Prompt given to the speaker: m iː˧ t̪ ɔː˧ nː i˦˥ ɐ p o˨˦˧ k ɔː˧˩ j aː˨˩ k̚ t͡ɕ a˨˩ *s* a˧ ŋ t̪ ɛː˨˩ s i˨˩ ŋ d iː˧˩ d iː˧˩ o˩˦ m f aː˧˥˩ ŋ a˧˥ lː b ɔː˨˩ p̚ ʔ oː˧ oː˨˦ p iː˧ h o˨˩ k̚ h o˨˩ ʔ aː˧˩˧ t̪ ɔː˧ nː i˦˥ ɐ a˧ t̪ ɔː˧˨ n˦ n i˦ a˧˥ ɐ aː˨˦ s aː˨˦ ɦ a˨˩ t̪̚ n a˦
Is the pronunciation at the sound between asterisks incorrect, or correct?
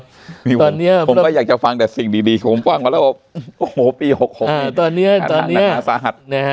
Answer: incorrect